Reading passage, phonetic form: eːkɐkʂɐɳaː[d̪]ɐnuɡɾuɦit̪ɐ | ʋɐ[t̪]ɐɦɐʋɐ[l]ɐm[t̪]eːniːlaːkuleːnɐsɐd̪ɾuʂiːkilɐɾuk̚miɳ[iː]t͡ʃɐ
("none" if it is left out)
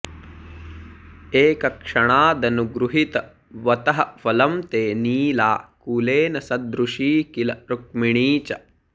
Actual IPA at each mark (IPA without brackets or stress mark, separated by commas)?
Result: d̪, t̪, l, t̪, iː